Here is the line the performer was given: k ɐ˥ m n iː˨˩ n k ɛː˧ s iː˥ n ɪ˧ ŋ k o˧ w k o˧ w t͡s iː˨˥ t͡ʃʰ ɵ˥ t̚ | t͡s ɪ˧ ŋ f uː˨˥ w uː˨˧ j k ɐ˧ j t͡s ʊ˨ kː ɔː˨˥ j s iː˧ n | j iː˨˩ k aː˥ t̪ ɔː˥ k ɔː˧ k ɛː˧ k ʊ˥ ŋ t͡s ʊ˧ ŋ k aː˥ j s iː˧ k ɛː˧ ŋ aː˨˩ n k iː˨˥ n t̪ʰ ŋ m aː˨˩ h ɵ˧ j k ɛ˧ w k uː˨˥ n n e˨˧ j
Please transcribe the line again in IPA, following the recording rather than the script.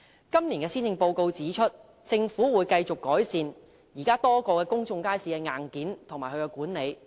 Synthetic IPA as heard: k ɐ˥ m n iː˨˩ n k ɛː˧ s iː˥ n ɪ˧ ŋ p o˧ w k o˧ w t͡s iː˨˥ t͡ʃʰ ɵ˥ t̚ | t͡s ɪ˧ ŋ f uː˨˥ w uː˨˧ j k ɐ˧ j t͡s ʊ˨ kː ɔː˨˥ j s iː˧ n | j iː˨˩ k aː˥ t̪ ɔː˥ k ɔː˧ k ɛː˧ k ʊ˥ ŋ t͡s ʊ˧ ŋ k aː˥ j s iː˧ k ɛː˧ ŋ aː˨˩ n k iː˨˥ n t̪ʰ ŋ m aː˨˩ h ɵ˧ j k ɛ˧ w k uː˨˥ n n e˨˧ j